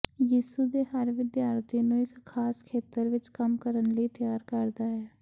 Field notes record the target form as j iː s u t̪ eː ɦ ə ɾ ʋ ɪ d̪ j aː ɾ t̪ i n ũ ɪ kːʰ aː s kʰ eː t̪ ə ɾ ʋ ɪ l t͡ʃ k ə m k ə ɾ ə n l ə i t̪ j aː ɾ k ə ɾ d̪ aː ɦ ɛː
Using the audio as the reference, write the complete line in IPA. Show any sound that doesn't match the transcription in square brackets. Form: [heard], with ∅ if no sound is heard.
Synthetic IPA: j iː s u [d̪] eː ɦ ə ɾ ʋ ɪ d̪ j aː ɾ t̪ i n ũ ɪ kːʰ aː s kʰ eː t̪ ə ɾ ʋ ɪ [∅] t͡ʃ k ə m k ə ɾ ə n l ə i t̪ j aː ɾ k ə ɾ d̪ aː ɦ ɛː